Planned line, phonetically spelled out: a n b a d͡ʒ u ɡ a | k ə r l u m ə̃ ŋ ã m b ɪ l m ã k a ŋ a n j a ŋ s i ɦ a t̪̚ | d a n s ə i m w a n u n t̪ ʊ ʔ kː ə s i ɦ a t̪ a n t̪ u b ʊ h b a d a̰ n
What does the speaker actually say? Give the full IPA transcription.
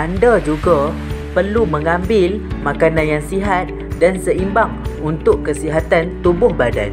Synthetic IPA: a n d a d͡ʒ u ɡ a | p ə r l u m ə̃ ŋ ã m b ɪ l m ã k a n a n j a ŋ s i ɦ a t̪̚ | d a n s ə i m b a ŋ u n t̪ ʊ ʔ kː ə s i ɦ a t̪ a n t̪ u b ʊ h b a d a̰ n